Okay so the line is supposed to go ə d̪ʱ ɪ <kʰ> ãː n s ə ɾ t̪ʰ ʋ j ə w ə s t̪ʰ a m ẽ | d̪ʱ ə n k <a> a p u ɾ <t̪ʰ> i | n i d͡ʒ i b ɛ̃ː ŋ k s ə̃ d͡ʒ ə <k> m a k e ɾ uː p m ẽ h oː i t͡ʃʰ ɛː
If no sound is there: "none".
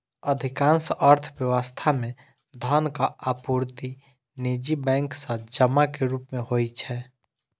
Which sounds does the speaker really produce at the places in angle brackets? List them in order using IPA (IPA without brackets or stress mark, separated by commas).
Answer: k, a, t̪, none